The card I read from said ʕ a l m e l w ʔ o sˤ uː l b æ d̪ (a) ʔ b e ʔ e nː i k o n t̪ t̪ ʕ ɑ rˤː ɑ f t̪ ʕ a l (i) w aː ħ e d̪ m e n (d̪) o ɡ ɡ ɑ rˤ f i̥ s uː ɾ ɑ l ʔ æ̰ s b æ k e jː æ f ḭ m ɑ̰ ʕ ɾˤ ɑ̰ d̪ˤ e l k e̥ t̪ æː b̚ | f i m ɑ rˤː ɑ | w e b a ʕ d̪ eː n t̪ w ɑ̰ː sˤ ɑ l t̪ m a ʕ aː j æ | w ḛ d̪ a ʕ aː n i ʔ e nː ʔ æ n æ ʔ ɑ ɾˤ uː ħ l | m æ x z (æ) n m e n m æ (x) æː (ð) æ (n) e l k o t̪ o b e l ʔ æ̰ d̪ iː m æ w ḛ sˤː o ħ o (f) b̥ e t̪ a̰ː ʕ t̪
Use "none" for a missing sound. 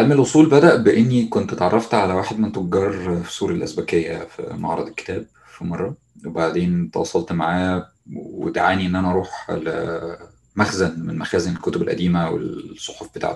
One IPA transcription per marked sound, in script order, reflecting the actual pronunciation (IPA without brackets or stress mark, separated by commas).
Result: æ, æ, t̪, æ, x, z, n, f